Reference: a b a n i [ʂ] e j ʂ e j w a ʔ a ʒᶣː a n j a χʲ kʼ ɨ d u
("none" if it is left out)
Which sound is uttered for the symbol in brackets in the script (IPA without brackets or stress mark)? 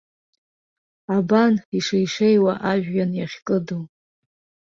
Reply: ʂ